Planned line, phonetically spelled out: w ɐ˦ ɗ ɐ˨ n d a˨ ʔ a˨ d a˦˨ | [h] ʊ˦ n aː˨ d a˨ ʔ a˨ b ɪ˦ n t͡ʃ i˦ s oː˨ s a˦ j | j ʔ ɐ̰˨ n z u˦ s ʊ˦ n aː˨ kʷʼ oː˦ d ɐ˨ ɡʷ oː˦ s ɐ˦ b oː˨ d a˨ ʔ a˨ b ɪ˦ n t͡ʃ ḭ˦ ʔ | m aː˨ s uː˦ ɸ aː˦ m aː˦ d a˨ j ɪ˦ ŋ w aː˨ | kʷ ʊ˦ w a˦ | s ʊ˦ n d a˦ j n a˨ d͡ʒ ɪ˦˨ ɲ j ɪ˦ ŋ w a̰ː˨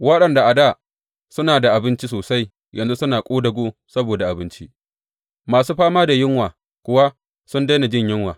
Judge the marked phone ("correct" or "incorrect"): incorrect